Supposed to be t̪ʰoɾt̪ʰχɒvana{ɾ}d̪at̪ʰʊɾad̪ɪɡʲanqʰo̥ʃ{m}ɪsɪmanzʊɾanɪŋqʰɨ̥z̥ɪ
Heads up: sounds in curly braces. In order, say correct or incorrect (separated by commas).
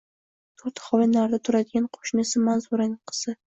correct, incorrect